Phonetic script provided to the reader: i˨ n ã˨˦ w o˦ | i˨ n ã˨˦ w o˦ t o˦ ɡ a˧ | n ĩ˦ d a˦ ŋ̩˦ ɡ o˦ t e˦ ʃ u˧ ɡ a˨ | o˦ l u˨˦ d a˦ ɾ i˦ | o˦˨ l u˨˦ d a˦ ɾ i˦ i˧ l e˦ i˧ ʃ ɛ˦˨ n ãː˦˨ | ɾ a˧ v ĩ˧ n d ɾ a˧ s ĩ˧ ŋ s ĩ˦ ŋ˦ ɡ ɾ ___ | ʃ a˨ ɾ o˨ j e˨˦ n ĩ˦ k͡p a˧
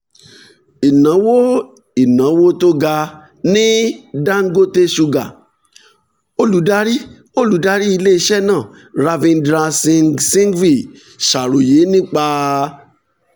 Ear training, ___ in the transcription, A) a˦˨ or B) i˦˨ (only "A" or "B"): B